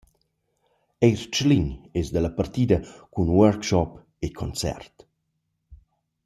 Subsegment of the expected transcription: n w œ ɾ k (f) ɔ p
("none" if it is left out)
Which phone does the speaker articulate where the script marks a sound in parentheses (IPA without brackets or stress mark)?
ʃ